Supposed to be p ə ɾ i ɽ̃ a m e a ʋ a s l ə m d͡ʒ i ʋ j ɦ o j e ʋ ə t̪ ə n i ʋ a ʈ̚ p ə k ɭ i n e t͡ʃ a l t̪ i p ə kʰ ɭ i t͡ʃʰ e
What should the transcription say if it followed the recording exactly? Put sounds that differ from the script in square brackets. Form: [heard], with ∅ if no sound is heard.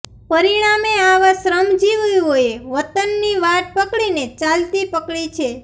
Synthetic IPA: p ə ɾ i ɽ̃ a m e a ʋ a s [ɾ] ə m d͡ʒ i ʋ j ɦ o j e ʋ ə t̪ ə [nː] i ʋ a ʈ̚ p ə k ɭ i n e t͡ʃ a l t̪ i p ə [k] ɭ i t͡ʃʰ e